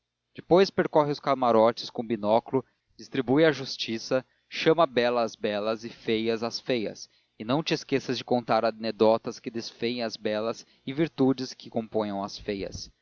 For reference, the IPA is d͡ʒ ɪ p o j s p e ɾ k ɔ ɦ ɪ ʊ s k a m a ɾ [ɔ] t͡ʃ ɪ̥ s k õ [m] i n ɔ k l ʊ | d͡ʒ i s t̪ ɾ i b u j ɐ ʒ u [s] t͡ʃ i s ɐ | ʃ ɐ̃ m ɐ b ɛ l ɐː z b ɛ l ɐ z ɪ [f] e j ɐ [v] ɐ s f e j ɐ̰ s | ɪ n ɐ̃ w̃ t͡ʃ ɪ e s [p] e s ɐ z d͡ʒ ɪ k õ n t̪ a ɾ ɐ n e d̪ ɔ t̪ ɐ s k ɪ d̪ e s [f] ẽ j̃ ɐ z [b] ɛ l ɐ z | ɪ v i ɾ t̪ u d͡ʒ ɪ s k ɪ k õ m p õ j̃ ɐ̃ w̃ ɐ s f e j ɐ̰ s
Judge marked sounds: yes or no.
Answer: yes, no, yes, yes, no, no, yes, yes

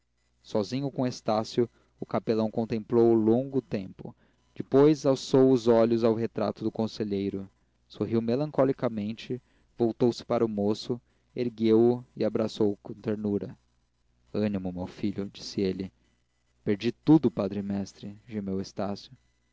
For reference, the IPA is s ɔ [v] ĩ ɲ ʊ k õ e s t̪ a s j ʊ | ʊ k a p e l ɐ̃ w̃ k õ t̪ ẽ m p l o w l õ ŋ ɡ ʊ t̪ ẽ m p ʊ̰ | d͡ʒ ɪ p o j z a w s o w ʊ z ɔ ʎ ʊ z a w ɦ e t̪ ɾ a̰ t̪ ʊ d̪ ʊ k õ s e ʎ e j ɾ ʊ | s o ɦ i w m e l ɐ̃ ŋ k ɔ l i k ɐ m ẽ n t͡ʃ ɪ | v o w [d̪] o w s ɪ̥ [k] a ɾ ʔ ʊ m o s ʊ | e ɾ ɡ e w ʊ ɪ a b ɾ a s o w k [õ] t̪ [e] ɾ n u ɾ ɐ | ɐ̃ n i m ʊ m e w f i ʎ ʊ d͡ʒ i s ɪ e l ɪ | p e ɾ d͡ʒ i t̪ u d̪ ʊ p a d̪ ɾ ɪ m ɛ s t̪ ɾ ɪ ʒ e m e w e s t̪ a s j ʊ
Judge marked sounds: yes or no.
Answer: no, no, no, yes, yes

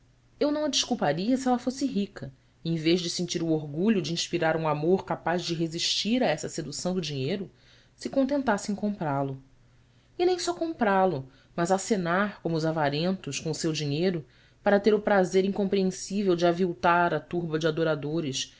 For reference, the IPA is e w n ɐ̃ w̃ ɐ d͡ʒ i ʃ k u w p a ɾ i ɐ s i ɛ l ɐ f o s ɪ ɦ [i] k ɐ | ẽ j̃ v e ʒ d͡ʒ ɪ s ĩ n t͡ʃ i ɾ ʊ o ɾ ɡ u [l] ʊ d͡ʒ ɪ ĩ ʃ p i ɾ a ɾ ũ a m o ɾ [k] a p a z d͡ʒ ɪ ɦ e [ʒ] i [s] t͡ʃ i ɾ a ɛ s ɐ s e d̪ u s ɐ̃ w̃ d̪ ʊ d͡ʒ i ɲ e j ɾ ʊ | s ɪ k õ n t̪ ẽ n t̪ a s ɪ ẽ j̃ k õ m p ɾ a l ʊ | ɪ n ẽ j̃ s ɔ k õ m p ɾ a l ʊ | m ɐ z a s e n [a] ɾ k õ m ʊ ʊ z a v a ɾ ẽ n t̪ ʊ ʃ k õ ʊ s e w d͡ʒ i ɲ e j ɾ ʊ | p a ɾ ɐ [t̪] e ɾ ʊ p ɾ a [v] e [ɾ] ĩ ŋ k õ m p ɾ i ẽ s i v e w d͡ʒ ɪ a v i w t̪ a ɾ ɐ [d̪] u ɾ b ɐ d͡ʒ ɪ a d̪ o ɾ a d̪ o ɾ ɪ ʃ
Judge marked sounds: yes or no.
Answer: yes, no, yes, no, no, yes, yes, no, yes, no

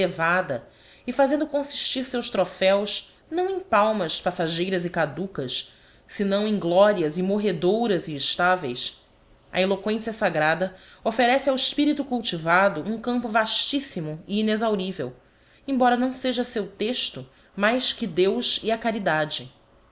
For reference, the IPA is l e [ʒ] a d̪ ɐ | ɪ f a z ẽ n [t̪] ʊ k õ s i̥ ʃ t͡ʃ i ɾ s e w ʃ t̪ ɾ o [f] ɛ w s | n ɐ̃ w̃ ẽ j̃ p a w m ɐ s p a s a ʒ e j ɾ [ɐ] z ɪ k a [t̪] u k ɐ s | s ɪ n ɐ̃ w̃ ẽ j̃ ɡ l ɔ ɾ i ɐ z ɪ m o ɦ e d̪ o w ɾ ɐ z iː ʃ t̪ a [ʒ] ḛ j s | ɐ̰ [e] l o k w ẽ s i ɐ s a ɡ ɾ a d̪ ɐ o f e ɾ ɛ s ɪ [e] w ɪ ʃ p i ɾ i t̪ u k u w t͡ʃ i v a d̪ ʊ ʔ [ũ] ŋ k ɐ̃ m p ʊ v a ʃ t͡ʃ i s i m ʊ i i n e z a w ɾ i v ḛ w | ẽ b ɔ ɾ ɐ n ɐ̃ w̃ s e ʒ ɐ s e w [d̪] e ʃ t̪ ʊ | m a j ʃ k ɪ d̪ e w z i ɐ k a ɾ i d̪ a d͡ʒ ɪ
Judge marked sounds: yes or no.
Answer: no, no, yes, yes, no, no, yes, no, yes, no

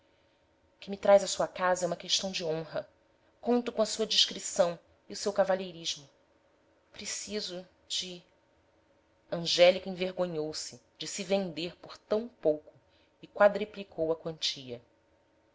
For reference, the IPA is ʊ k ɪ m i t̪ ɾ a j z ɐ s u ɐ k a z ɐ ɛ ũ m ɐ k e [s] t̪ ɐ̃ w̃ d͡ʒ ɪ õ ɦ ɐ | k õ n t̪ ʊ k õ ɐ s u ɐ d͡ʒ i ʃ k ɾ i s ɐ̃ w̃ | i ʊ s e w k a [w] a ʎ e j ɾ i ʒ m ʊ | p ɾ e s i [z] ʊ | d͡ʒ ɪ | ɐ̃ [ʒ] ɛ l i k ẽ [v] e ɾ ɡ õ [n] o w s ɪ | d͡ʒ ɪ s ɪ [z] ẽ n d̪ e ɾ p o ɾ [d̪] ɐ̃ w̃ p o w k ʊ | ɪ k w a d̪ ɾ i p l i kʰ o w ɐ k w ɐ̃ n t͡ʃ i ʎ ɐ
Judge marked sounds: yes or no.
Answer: no, no, yes, yes, yes, no, no, no

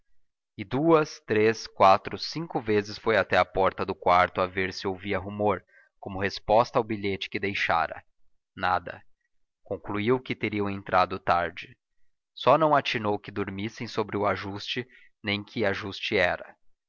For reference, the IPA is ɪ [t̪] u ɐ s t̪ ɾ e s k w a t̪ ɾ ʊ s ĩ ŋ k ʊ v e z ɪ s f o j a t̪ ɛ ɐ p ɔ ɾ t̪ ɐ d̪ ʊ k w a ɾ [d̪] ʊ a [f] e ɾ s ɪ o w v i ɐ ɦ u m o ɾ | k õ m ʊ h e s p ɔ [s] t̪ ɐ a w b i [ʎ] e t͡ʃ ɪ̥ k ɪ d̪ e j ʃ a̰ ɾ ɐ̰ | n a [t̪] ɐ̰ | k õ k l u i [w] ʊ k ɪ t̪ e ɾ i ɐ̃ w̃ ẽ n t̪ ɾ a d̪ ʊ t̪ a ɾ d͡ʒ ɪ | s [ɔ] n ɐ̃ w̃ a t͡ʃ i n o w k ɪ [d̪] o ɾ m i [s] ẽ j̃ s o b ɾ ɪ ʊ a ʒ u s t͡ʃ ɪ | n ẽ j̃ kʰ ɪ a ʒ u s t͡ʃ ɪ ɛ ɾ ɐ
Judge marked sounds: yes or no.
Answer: no, no, no, yes, yes, no, yes, yes, yes, yes

